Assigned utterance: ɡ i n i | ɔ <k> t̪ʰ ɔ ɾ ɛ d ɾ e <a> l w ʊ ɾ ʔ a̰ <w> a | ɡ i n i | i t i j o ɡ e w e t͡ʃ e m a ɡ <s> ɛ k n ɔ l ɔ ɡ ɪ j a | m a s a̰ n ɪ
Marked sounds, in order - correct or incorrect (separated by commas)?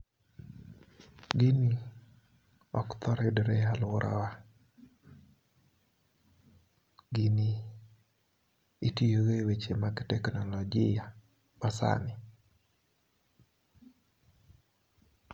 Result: correct, correct, correct, incorrect